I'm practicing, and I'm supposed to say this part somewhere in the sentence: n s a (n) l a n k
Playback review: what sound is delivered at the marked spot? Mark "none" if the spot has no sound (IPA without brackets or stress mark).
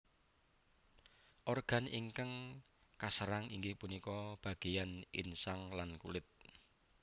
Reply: ŋ